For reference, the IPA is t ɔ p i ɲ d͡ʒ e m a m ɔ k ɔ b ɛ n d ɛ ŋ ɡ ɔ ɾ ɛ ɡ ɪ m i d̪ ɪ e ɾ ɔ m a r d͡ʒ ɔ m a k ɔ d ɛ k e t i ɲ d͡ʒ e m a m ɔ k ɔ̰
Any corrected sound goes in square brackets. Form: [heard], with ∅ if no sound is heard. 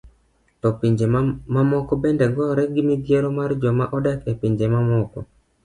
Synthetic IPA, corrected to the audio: t ɔ p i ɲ d͡ʒ e m a m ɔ k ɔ b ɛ n d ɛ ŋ ɡ ɔ ɾ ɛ ɡ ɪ m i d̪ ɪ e ɾ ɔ m a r d͡ʒ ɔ m a [ʔ] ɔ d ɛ k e [p] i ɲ d͡ʒ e m a m ɔ k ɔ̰